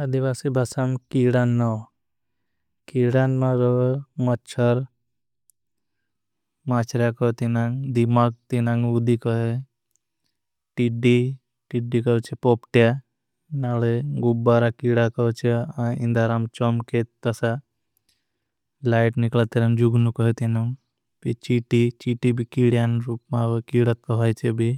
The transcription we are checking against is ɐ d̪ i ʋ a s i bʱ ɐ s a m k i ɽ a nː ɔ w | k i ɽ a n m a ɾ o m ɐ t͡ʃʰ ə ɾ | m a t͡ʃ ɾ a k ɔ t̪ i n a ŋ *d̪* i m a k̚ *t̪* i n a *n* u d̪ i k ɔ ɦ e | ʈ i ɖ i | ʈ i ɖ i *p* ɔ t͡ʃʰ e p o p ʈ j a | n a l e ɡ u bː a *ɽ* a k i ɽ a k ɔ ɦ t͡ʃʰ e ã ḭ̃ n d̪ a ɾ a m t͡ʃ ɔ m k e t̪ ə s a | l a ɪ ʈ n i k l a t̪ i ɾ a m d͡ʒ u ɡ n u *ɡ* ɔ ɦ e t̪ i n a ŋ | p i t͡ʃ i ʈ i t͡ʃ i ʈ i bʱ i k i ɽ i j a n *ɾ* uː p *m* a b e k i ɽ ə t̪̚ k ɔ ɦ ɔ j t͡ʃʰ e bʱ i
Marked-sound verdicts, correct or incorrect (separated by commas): correct, correct, incorrect, incorrect, incorrect, incorrect, correct, correct